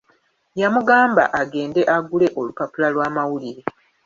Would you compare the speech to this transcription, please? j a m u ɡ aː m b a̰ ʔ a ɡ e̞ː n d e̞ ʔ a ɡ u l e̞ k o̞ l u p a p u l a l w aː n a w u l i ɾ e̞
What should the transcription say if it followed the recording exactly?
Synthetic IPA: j a m u ɡ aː m b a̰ ʔ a ɡ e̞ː n d e̞ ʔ a ɡ u l e̞ ʔ o̞ l u p a p u l a l w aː m a w u l i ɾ e̞